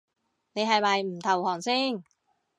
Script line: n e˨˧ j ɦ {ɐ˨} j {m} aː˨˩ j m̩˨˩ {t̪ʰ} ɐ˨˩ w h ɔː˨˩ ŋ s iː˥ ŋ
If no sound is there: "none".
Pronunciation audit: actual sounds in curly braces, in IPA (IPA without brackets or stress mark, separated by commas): ɐ˨, m, t̪ʰ